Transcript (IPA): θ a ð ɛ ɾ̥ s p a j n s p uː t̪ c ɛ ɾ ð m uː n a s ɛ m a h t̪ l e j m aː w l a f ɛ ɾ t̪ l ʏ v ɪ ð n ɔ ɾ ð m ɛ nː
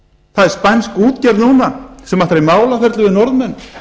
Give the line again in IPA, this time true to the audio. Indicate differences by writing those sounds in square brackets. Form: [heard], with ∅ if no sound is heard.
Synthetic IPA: θ a ð ɛ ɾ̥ s p a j n s [k] uː t̪ c ɛ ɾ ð [n] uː n a s ɛ m a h t̪ [ɾ] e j m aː w l a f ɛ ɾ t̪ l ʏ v ɪ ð n ɔ ɾ ð m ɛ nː